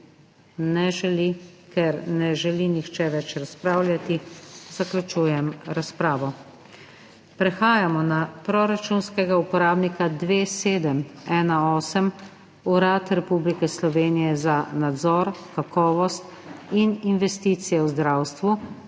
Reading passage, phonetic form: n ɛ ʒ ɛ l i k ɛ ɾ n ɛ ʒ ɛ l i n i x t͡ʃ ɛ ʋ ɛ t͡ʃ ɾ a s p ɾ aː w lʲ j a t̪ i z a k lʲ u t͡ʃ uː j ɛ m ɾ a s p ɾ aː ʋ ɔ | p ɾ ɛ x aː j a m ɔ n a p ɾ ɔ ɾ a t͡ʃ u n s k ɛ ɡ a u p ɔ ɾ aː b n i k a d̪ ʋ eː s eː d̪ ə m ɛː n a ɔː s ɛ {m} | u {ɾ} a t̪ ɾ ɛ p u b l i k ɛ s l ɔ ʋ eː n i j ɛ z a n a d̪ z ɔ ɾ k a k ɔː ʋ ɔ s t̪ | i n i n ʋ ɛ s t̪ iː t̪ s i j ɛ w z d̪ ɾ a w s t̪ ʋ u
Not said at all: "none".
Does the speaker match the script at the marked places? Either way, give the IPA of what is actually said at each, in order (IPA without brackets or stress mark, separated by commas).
m, ɾ